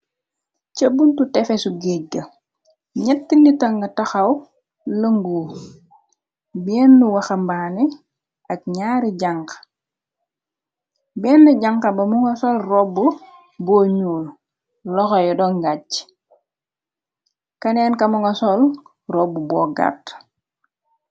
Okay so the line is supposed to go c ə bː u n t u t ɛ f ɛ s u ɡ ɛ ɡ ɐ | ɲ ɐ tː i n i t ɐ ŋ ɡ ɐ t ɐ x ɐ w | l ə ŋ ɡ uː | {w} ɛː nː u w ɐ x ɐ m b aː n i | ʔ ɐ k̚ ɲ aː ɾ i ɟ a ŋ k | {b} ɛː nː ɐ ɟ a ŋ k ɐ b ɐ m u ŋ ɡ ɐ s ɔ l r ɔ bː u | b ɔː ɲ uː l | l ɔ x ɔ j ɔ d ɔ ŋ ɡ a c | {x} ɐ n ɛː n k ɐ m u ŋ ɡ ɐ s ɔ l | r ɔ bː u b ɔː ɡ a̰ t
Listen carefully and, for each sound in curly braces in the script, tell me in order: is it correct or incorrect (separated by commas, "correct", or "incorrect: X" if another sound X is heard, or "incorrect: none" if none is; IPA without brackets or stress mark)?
incorrect: b, correct, incorrect: k